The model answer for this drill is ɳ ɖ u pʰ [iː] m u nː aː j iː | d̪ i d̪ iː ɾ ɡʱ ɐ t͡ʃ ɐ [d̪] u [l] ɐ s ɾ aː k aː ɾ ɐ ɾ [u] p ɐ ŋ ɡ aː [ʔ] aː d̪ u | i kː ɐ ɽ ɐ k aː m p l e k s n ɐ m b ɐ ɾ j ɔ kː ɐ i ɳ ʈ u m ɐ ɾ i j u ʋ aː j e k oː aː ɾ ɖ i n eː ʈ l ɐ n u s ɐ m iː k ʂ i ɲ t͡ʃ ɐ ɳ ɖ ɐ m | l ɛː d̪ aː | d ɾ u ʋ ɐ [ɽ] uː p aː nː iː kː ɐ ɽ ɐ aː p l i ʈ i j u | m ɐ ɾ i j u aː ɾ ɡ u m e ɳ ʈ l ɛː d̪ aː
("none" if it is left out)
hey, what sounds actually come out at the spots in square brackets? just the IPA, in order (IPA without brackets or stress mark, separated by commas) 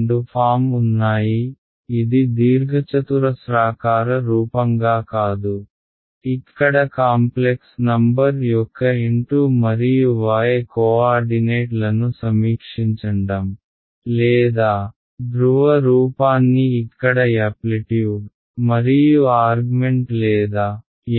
aː, t̪, ɾ, uː, k, ɾ